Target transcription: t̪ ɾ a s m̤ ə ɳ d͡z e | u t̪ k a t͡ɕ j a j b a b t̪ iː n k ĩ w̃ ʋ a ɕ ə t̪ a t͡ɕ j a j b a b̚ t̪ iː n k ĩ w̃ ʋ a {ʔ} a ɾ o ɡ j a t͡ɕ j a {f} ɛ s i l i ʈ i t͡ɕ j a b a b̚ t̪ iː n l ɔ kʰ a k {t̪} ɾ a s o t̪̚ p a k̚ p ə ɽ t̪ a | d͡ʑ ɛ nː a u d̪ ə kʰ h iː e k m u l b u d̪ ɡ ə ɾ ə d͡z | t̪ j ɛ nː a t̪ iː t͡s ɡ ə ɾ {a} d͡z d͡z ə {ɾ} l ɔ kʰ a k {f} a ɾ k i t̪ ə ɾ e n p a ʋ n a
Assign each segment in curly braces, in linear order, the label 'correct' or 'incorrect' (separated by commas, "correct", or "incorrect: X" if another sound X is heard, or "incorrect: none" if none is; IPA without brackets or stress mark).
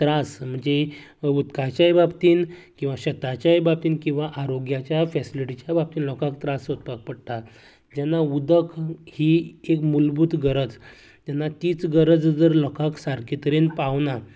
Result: correct, correct, correct, incorrect: ə, correct, incorrect: s